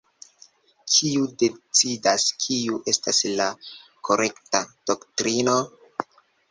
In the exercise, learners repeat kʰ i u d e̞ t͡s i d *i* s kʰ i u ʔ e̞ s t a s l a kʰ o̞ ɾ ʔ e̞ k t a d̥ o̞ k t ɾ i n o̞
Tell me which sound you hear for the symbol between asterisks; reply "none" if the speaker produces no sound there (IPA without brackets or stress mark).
a